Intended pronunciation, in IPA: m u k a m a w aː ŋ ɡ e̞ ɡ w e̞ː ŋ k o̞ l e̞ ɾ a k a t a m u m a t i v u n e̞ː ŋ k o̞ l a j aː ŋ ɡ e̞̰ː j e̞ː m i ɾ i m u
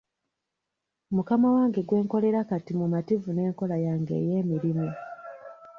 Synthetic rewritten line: m u k a m a w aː ŋ ɡ e̞ ɡ w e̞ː ŋ k o̞ l e̞ ɾ a k a t i m u m a t i v u n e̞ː ŋ k o̞ l a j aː ŋ ɡ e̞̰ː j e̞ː m i ɾ i m u